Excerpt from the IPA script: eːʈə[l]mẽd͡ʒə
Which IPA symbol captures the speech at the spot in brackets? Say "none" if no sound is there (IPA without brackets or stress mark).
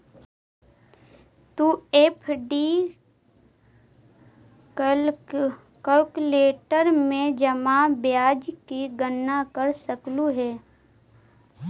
ɾ